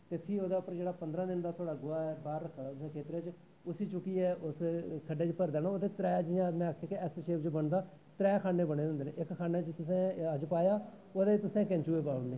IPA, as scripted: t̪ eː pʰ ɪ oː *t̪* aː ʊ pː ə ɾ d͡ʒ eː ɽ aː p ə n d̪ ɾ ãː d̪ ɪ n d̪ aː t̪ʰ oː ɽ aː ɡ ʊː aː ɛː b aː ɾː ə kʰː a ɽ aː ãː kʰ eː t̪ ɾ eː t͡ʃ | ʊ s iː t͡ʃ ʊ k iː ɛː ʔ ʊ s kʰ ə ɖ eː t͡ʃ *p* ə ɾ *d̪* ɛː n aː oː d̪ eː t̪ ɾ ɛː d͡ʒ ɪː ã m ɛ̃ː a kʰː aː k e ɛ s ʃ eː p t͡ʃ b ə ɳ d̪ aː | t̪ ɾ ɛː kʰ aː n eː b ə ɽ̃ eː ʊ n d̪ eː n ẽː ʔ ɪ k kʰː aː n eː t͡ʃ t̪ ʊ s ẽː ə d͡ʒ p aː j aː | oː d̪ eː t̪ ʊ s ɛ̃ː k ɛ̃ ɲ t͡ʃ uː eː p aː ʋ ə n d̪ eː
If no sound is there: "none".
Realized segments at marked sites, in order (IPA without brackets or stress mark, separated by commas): d̪, p, d̪